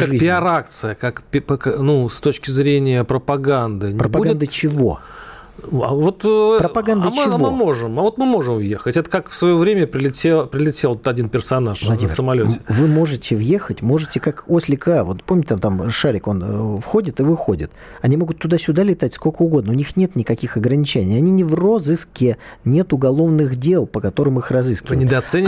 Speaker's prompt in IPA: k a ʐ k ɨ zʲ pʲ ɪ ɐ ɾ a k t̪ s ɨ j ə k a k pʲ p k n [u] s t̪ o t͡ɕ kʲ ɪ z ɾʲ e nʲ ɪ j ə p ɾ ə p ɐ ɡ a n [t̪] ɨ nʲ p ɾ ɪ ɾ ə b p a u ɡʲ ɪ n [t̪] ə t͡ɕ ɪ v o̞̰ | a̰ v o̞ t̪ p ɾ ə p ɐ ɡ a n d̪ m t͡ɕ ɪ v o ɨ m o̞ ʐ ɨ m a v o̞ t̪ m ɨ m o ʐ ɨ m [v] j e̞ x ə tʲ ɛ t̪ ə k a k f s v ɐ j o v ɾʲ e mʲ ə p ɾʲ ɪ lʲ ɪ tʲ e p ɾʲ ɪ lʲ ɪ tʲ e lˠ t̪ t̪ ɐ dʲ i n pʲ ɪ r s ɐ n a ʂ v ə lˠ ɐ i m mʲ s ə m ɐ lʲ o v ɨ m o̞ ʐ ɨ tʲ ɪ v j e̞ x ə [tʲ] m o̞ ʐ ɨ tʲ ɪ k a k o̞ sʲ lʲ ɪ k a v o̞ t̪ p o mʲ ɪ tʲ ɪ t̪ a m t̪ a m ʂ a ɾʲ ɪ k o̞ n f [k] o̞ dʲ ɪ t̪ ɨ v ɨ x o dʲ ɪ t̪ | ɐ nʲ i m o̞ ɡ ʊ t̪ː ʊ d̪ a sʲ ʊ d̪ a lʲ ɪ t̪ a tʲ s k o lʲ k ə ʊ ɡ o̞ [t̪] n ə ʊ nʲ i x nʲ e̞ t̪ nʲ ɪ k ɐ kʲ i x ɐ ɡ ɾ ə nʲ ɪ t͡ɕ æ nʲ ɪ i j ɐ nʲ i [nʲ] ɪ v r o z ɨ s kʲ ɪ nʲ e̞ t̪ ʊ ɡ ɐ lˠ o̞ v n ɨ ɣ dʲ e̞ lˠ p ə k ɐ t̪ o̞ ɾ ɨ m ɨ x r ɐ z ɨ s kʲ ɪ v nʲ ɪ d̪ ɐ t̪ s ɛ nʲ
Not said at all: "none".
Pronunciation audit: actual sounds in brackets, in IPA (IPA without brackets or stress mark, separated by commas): u, d̪, d̪, v, tʲ, x, d̪, nʲ